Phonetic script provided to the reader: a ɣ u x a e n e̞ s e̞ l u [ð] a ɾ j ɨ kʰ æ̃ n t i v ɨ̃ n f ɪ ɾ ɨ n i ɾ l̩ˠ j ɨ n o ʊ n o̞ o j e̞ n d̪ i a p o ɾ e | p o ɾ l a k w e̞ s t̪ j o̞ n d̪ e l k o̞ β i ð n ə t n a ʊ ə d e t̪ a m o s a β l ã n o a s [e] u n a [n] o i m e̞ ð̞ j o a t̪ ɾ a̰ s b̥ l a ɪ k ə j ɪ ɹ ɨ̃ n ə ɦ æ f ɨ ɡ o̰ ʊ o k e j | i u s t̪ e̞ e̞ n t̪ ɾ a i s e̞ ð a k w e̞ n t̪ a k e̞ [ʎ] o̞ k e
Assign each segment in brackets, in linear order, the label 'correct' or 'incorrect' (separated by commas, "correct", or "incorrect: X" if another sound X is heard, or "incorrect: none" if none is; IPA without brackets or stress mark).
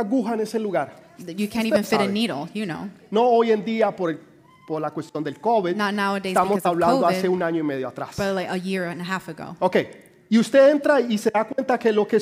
incorrect: ɣ, correct, incorrect: ɲ, incorrect: l